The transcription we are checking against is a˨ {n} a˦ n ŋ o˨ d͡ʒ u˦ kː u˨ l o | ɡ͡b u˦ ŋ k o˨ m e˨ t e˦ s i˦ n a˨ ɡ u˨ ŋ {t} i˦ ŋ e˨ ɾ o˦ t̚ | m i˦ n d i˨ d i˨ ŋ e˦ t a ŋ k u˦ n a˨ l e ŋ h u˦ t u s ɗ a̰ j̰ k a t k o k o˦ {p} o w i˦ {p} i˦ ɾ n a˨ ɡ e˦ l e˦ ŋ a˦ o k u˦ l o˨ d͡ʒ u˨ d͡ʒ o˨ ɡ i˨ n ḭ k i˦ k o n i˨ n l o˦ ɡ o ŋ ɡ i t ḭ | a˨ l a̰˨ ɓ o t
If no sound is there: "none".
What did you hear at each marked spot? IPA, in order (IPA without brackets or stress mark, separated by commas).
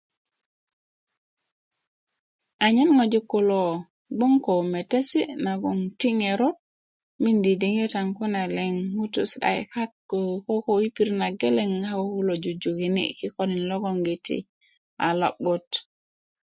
ɲ, t, k, p